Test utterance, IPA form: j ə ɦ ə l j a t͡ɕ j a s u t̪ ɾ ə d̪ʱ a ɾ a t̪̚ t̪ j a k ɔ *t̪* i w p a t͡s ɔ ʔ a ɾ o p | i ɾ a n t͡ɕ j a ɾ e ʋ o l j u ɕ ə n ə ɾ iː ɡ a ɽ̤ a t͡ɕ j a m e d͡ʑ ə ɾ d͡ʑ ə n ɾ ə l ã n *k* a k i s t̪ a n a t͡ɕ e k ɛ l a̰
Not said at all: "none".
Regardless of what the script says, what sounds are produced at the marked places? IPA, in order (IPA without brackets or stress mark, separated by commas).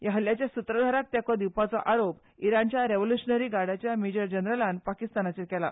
d̪, p